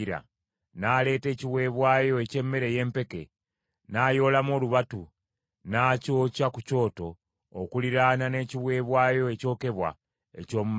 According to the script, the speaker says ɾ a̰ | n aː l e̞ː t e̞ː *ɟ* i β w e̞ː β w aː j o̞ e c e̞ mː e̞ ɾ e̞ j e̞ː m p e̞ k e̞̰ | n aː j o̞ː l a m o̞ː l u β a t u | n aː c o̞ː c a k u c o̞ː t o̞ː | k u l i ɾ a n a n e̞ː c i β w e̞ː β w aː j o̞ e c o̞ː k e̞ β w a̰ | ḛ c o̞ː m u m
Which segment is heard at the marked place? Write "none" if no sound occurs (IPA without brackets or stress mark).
c